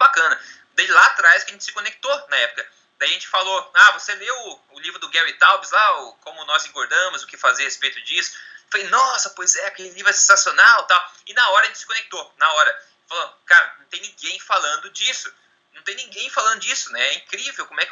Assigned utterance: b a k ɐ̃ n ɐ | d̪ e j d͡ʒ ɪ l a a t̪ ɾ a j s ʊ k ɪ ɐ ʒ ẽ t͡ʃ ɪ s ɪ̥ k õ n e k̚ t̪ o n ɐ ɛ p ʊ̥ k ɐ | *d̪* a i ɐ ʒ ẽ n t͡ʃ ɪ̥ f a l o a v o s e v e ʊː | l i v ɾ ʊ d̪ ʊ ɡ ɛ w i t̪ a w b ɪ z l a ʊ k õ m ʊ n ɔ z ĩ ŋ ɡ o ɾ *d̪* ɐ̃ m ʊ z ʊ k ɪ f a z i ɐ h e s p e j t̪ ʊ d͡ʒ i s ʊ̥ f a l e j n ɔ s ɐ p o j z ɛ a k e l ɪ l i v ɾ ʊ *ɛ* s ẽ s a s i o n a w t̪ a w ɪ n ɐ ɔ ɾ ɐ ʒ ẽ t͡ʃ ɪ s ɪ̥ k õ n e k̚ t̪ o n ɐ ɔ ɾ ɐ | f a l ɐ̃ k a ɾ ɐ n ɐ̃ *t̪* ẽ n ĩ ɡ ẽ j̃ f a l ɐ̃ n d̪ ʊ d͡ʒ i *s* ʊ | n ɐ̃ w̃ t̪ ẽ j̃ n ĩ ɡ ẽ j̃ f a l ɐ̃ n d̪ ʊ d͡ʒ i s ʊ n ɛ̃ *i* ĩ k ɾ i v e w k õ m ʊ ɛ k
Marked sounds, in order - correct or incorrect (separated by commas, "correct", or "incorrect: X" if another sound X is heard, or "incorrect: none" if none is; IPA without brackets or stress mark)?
correct, correct, correct, correct, correct, incorrect: ɛ